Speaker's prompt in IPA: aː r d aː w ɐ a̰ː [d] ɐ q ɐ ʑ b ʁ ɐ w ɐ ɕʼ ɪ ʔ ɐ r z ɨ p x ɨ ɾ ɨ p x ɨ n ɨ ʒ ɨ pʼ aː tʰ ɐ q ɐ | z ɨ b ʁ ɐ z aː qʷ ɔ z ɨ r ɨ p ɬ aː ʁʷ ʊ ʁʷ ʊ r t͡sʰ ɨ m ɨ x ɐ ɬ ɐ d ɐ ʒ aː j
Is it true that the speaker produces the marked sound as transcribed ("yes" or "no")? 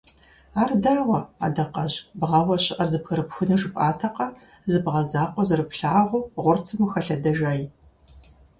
yes